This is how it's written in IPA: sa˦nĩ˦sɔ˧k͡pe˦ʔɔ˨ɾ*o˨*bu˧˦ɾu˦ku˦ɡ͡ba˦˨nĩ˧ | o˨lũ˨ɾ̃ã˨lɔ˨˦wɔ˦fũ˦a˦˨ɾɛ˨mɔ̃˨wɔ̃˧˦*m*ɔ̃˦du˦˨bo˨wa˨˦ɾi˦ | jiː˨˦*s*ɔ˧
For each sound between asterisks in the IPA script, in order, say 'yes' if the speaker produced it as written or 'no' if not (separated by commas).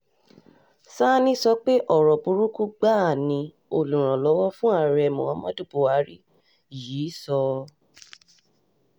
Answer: no, yes, yes